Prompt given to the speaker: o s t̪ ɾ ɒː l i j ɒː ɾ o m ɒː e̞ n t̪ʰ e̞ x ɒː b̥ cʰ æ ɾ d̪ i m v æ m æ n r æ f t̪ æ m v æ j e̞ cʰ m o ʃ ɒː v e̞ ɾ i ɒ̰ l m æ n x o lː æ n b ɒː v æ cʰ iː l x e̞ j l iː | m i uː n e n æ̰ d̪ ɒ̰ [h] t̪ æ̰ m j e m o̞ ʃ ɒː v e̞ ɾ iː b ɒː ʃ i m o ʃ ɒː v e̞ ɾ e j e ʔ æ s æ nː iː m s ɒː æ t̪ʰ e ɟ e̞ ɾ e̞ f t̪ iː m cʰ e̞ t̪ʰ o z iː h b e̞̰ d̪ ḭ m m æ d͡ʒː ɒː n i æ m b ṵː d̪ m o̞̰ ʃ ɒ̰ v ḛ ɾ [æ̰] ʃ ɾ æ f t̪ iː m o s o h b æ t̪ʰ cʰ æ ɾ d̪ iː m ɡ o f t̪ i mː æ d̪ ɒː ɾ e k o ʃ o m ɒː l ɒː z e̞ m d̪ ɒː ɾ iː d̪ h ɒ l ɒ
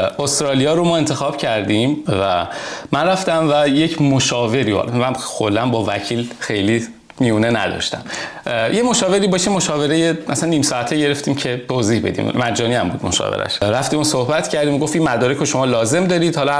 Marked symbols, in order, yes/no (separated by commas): no, yes